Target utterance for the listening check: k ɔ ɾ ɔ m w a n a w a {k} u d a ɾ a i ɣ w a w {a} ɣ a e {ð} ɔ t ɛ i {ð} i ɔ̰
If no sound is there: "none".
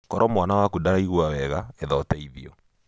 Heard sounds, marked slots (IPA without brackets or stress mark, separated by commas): k, ɛ, ð, ð